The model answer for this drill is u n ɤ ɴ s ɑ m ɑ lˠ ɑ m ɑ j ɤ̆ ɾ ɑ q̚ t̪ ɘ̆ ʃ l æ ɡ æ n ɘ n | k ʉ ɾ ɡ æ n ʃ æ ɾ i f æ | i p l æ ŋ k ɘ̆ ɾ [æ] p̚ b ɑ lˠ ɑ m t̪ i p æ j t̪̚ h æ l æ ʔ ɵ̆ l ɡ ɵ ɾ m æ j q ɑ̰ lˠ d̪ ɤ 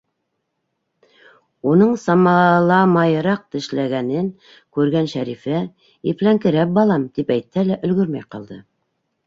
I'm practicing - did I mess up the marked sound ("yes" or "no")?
no